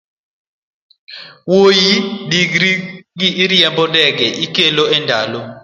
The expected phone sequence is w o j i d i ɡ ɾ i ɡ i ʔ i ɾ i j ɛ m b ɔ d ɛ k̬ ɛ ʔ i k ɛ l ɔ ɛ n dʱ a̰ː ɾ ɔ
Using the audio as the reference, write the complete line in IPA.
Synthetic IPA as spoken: w o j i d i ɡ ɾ i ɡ i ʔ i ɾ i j ɛ m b ɔ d ɛ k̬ ɛ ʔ i k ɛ l ɔ ɛ n dʱ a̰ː l ɔ